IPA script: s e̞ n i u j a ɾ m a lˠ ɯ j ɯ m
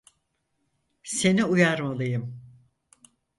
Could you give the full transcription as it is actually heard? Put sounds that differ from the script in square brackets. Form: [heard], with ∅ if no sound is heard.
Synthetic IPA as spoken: s e̞ n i u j a ɾ m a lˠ ɯ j ɯ m